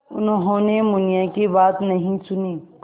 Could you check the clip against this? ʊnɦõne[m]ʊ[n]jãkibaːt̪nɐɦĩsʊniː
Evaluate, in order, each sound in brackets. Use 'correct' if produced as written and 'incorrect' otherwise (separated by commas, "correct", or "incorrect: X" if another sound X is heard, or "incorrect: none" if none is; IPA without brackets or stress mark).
correct, correct